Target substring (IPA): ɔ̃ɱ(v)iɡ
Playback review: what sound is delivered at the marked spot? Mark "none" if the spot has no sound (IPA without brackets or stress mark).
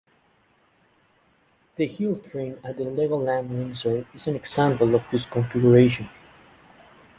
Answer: f